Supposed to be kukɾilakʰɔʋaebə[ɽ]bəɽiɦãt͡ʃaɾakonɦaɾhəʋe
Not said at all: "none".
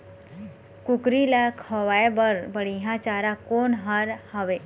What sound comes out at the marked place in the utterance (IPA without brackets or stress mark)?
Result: ɾ